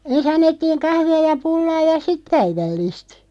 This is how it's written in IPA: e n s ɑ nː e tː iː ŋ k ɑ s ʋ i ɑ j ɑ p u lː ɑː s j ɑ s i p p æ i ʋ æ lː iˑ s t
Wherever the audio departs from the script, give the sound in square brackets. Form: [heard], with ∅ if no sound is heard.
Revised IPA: e n s ɑ nː e tː iː ŋ k ɑ [h] ʋ i ɑ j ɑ p u lː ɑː [∅] j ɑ s i [t] p æ i ʋ æ lː iˑ s t